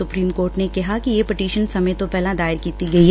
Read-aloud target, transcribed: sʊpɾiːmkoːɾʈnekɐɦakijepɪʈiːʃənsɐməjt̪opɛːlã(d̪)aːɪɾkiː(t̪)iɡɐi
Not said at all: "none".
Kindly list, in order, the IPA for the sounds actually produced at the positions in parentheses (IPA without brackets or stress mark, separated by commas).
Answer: d̪, t̪